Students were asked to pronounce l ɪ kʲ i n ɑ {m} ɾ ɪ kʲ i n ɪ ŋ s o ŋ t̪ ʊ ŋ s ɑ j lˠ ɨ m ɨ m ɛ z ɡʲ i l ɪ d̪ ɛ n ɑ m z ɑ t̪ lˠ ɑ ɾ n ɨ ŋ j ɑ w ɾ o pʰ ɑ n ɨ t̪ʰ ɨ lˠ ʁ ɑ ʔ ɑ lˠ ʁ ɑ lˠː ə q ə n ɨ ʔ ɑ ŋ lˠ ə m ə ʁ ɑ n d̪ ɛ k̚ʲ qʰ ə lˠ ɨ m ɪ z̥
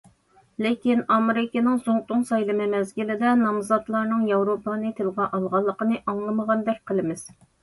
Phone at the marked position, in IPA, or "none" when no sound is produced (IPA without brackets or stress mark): m